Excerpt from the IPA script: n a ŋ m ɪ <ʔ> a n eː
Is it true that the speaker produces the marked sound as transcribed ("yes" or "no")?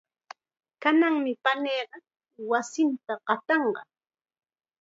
no